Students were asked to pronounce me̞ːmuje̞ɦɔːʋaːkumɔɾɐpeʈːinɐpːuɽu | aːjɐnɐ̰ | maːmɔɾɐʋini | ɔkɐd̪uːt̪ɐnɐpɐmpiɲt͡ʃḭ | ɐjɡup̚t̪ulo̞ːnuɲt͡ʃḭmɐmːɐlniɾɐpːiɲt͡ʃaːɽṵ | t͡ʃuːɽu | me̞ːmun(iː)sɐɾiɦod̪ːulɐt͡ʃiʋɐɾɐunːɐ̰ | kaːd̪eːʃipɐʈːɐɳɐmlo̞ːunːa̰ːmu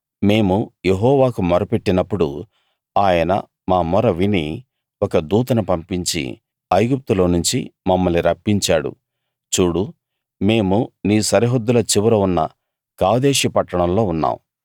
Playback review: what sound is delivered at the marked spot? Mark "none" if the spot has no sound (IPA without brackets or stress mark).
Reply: iː